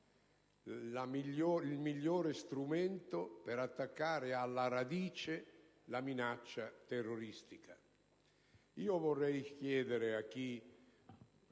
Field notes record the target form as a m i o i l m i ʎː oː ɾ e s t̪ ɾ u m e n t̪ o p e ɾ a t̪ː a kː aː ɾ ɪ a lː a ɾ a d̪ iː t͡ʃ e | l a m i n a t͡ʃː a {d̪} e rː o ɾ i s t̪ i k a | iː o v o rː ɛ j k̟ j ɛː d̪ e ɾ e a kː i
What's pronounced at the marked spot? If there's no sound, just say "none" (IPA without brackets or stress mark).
t̪